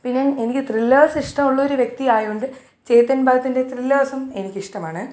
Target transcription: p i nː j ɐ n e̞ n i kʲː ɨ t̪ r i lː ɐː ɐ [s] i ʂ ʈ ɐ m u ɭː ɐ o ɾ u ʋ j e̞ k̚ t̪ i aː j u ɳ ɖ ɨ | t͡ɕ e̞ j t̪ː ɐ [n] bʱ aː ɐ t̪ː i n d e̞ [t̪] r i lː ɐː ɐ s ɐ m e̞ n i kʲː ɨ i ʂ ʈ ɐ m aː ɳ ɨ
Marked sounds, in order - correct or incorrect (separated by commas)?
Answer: correct, correct, correct